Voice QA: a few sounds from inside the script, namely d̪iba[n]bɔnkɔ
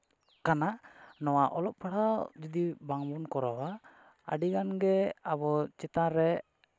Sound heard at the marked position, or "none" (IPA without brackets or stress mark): ŋ